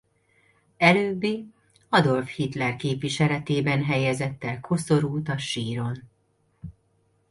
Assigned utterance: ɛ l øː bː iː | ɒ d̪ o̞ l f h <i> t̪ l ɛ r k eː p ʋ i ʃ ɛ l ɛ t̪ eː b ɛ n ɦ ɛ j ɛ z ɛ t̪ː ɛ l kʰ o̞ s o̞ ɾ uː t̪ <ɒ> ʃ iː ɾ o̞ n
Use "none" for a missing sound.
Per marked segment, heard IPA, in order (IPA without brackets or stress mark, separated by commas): i, ɒ